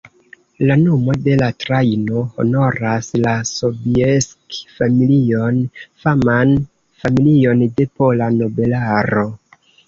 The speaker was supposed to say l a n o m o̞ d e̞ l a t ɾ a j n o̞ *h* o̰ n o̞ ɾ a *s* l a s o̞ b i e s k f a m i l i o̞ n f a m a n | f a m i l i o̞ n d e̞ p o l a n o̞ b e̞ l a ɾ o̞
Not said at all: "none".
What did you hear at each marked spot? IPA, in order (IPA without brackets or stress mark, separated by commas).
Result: h, s